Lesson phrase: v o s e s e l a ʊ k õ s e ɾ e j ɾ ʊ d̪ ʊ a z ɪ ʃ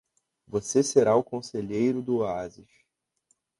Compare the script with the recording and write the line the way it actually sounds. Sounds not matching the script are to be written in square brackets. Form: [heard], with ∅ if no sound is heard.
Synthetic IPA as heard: v o s e s e [ɾ] a ʊ k õ s e [ʎ] e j ɾ ʊ d̪ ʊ a z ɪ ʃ